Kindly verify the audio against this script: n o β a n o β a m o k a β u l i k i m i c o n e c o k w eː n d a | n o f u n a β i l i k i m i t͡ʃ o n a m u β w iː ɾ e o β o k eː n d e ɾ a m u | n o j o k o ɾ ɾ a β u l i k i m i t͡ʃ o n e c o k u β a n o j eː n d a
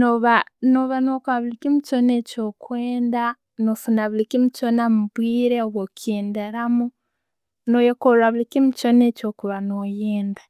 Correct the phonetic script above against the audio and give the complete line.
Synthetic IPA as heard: n o β a n o β a n o k a β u l i k i m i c o n e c o k w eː n d a | n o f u n a β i l i k i m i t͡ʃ o n a m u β w iː ɾ e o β o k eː n d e ɾ a m u | n o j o k o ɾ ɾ a β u l i k i m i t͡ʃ o n e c o k u β a n o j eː n d a